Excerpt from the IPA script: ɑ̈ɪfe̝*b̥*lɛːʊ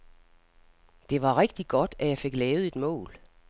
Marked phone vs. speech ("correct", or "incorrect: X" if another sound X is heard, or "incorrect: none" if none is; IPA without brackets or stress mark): incorrect: ɡ̥